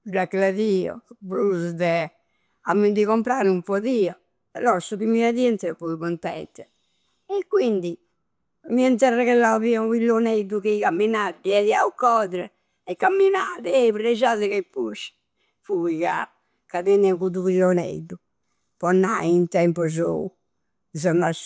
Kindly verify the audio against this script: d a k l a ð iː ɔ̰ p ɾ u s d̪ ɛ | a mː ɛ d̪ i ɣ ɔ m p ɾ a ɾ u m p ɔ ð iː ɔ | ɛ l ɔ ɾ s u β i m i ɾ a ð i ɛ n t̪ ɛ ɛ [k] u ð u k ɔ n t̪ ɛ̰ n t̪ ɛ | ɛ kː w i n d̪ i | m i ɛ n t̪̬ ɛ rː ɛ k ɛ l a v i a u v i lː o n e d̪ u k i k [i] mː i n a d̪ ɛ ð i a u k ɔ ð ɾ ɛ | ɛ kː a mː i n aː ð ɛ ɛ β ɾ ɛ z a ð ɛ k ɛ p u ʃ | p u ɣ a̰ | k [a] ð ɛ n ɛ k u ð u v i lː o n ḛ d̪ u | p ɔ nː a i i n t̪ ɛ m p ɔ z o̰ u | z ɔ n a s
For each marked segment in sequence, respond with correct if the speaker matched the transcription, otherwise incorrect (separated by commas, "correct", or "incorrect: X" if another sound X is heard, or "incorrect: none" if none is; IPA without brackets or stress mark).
incorrect: p, incorrect: a, correct